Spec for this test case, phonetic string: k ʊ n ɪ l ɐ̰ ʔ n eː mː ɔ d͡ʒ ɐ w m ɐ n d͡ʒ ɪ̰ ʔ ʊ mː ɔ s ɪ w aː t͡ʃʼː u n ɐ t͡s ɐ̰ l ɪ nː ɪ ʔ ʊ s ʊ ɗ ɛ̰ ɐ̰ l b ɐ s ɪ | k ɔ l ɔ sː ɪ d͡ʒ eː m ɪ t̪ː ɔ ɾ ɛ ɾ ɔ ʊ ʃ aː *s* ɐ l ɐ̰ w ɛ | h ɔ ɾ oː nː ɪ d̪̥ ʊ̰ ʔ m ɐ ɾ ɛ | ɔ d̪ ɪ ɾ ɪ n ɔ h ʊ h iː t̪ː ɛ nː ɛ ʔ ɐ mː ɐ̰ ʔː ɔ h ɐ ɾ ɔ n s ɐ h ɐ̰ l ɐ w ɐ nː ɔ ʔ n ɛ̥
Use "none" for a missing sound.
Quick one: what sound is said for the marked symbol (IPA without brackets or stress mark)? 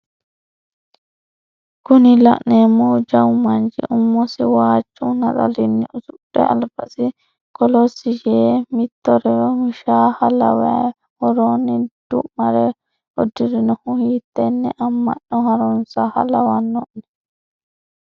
h